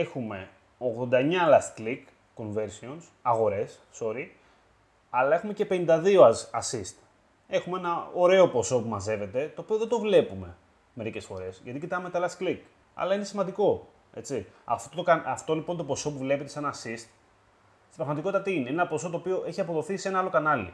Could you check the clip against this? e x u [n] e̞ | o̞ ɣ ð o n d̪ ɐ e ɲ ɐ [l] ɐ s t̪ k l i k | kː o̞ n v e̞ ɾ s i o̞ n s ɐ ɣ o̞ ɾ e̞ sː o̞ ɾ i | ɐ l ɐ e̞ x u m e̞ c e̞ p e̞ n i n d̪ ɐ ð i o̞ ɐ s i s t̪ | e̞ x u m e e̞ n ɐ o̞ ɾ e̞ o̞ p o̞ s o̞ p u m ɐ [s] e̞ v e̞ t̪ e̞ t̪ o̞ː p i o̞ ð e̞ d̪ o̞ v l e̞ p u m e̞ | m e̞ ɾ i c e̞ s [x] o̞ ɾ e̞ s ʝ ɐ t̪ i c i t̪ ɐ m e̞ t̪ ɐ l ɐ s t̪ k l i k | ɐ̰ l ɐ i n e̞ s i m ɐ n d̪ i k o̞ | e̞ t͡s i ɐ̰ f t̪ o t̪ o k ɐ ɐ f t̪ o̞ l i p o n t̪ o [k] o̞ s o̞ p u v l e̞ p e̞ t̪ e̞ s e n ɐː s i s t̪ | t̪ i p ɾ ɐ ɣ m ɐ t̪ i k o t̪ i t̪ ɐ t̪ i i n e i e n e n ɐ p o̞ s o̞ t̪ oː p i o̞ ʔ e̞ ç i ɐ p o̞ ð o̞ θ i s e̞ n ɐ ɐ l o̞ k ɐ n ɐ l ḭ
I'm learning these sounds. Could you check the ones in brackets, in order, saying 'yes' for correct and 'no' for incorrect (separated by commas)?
no, yes, no, no, no